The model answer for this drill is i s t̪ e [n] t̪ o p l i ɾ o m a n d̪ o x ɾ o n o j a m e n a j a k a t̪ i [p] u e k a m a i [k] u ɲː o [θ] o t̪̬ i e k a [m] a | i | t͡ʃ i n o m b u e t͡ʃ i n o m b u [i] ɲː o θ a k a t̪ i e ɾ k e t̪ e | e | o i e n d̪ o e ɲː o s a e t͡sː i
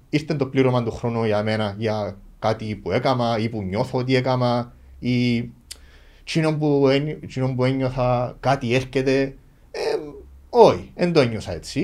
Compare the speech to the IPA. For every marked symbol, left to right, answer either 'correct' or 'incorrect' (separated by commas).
correct, correct, incorrect, correct, correct, incorrect